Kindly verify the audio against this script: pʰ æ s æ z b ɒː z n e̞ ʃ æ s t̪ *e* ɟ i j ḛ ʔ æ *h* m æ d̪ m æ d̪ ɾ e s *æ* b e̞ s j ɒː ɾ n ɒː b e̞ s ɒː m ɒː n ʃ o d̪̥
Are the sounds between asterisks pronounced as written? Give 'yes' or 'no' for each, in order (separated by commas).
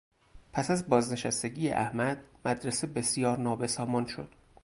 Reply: yes, yes, no